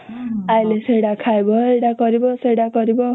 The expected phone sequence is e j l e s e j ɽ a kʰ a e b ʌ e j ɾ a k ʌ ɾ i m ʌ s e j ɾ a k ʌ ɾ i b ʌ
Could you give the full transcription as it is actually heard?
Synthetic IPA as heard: a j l e s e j ɽ a kʰ a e b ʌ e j ɽ a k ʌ ɾ i b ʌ s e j ɽ a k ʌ ɾ i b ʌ